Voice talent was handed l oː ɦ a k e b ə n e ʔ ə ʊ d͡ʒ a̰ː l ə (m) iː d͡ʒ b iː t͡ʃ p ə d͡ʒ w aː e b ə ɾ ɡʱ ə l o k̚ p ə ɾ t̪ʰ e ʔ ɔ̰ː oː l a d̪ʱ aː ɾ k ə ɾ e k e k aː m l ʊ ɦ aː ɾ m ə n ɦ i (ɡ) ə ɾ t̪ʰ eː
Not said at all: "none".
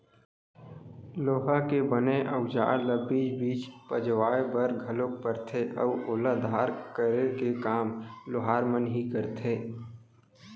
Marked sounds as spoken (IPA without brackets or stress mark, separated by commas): b, k